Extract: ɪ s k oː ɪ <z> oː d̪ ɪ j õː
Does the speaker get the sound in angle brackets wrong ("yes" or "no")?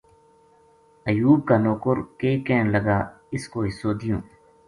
yes